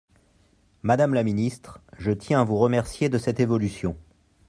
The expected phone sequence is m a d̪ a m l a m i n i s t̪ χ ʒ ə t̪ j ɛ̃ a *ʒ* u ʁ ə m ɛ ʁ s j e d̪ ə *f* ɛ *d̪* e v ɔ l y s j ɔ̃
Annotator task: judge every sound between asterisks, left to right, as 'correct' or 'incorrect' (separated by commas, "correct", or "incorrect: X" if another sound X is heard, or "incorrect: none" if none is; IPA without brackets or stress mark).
incorrect: v, incorrect: s, incorrect: t̪